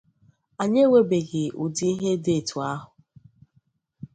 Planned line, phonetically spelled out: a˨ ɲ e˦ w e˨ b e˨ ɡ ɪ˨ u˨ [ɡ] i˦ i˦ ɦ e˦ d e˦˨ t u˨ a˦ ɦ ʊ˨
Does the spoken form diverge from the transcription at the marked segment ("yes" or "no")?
yes